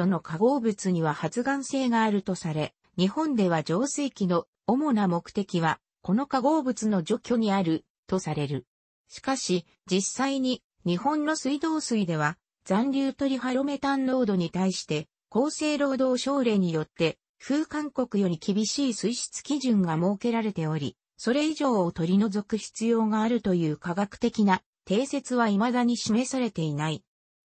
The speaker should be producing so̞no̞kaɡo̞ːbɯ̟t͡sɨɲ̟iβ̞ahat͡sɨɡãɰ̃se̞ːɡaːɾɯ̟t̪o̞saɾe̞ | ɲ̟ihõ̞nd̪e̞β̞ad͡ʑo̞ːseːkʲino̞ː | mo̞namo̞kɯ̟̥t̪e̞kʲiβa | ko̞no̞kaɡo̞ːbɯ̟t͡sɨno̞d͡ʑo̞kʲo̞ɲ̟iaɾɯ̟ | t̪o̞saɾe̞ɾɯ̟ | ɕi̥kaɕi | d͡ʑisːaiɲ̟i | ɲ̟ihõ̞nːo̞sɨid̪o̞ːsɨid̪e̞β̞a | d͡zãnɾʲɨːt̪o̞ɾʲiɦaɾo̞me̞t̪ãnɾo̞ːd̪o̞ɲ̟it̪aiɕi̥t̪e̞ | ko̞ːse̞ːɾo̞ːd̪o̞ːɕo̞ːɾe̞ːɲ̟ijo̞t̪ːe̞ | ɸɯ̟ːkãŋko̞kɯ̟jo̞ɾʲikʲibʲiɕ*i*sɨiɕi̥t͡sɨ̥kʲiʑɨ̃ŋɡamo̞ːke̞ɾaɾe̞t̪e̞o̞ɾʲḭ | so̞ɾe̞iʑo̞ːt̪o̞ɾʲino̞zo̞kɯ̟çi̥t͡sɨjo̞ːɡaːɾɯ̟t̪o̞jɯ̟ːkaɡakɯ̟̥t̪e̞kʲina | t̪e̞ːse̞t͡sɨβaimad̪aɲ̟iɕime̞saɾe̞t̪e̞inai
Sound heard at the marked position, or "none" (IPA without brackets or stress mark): iː